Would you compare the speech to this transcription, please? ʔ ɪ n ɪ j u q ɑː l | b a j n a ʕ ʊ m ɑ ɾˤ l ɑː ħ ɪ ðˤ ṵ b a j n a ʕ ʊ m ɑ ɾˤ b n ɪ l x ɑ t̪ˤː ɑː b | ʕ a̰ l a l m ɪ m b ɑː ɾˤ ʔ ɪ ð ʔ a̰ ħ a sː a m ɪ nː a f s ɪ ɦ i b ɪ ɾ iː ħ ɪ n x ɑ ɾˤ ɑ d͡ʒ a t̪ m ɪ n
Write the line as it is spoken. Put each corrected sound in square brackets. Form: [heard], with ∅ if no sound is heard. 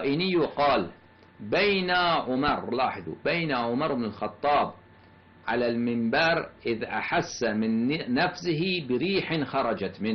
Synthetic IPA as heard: ʔ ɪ n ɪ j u q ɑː l | b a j n a ʕ ʊ m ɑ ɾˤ l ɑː ħ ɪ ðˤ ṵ b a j n a ʕ ʊ m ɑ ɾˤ b n ɪ l x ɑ t̪ˤː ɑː b | ʕ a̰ l a l m ɪ m b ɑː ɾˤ ʔ ɪ ð ʔ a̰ ħ a sː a m ɪ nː a f s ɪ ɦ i b ɪ ɾ iː ħ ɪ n x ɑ ɾˤ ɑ d͡ʒ a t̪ m ɪ n

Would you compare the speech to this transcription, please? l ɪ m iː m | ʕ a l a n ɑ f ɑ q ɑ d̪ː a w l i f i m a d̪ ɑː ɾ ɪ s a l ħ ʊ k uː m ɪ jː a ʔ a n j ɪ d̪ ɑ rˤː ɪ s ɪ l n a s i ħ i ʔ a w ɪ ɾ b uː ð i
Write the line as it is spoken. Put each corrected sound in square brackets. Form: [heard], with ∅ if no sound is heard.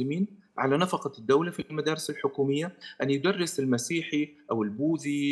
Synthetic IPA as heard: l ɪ m iː [n] | ʕ a l a n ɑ f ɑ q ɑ d̪ː a w l [a] f i m a d̪ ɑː ɾ ɪ s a l ħ ʊ k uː m ɪ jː a ʔ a n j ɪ d̪ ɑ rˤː ɪ s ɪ l [m] a s [iː] ħ i ʔ a w ɪ [l] b uː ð i

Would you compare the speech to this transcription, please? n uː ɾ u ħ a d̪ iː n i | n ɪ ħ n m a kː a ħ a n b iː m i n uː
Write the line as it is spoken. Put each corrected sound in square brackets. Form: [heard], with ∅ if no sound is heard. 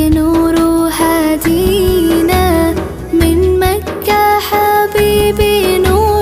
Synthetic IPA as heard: n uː ɾ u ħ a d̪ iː n [a] | [m] ɪ [∅] n m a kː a ħ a [∅] b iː [b] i n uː

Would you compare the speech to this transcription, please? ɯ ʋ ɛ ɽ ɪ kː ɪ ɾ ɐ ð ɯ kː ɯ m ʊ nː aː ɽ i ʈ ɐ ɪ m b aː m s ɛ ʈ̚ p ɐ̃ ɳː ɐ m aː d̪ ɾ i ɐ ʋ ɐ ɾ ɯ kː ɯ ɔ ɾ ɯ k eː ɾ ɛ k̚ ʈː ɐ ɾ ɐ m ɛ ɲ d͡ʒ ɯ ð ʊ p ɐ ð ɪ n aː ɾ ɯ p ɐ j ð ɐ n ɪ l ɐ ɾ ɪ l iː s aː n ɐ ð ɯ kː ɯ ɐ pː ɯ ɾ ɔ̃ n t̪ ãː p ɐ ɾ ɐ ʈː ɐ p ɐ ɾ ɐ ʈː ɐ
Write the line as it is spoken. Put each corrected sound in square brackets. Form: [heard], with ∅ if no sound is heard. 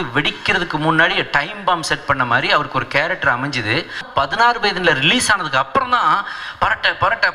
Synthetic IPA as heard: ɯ ʋ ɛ ɽ ɪ kː ɪ ɾ ɐ ð ɯ kː ɯ m ʊ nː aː ɽ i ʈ ɐ ɪ m b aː m s ɛ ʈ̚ p [ɐ] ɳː ɐ m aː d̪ ɾ i ɐ ʋ ɐ ɾ ɯ kː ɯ ɔ ɾ ɯ k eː ɾ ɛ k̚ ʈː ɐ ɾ ɐ m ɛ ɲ d͡ʒ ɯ ð [ɯ] p ɐ ð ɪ n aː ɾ ɯ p ɐ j ð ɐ n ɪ l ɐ ɾ ɪ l iː s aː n ɐ ð ɯ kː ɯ ɐ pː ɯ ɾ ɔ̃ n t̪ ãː p ɐ ɾ ɐ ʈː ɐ p ɐ ɾ ɐ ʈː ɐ

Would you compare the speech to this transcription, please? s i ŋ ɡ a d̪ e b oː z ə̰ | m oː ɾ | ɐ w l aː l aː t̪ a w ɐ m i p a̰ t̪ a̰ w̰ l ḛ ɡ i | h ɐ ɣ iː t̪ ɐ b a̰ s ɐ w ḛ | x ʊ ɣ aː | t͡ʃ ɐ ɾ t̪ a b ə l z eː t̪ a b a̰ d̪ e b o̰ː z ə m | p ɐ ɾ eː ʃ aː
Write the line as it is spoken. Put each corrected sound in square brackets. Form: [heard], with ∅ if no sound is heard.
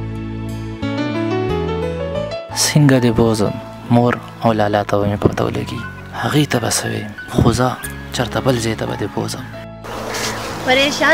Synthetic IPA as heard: s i ŋ ɡ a d̪ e b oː z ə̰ | m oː ɾ | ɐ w l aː l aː t̪ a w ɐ m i p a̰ t̪ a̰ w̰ l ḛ ɡ i | h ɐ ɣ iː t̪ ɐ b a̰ s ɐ w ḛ | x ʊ [z] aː | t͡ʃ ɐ ɾ t̪ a b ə l z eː t̪ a b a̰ d̪ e b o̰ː z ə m | p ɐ ɾ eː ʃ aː

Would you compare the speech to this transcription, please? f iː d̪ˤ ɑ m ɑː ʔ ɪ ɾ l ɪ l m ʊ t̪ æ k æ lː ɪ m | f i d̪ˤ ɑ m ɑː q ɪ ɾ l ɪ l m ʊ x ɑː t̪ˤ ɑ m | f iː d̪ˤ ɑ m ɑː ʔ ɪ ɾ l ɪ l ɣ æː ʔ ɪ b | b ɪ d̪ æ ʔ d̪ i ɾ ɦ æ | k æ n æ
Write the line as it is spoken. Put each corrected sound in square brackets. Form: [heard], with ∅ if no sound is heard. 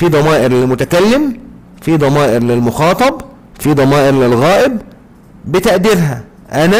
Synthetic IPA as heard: f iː d̪ˤ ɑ m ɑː ʔ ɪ ɾ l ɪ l m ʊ t̪ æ k æ lː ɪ m | f i d̪ˤ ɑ m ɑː [ʔ] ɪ ɾ l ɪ l m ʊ x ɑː t̪ˤ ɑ [b] | f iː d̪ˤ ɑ m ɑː ʔ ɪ ɾ l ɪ l ɣ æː ʔ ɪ b | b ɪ [t̪] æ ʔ d̪ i ɾ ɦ æ | [ʔ] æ n æ

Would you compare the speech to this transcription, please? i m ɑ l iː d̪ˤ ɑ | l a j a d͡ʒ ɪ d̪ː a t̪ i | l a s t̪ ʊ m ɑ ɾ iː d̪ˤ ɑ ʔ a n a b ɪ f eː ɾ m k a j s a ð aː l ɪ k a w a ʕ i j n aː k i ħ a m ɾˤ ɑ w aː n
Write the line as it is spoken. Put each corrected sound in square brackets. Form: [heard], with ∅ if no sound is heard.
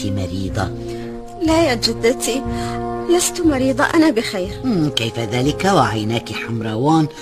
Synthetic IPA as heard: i m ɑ [ɾ] iː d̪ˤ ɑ | l a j a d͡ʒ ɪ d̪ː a t̪ i | l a s t̪ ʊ m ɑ ɾ iː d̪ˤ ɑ ʔ a n a b ɪ [x] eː ɾ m k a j [f] a ð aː l ɪ k a w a ʕ [a] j n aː k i ħ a m ɾˤ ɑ w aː n

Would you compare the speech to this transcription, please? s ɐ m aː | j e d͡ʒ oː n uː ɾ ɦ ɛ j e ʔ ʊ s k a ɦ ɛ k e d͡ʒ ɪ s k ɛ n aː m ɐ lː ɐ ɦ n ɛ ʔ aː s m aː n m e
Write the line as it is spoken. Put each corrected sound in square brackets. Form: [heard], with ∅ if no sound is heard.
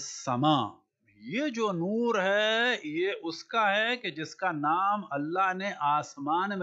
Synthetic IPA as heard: s ɐ m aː | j e d͡ʒ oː n uː ɾ ɦ ɛ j e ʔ ʊ s k a ɦ ɛ k e d͡ʒ ɪ s k [a] n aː m ɐ lː [a] ɦ n [e] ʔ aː s m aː n m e

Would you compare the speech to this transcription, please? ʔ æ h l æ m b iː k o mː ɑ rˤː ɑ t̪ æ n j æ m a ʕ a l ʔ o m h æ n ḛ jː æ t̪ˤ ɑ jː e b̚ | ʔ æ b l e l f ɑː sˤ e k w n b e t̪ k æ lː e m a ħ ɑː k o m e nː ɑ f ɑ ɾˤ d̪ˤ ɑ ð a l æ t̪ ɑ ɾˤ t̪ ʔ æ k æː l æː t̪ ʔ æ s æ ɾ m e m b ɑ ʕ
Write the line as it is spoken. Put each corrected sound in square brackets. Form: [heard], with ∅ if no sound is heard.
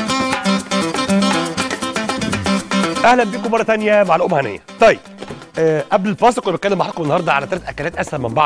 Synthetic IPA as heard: ʔ æ h l æ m b iː k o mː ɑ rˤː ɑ t̪ æ n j æ m a ʕ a l ʔ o m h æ n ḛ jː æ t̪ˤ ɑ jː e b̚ | ʔ æ b l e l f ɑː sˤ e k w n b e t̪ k æ lː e m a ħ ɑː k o m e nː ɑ [h] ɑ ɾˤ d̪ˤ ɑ [ʕ] a l æ t̪ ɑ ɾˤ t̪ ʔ æ k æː l æː t̪ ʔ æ s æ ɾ m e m b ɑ ʕ

